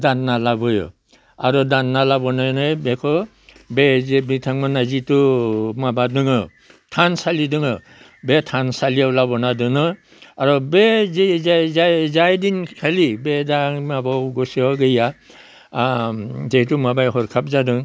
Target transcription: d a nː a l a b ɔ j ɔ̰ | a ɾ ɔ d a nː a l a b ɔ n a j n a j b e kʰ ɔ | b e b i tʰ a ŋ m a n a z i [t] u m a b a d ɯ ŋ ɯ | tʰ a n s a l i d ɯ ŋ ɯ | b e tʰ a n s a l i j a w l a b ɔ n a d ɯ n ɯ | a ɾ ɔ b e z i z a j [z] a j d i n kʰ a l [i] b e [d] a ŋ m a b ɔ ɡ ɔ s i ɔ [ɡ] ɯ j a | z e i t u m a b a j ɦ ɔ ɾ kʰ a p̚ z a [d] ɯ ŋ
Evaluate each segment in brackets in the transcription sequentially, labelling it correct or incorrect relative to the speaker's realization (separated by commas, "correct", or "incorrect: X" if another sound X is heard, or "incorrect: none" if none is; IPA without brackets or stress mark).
correct, correct, correct, correct, correct, correct